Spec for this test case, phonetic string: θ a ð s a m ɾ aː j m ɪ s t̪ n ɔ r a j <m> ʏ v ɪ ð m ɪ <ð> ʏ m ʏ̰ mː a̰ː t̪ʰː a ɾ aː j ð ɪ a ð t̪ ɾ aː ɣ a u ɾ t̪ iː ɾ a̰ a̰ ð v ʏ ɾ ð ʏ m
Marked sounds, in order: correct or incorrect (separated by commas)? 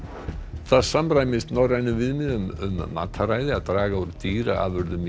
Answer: incorrect, correct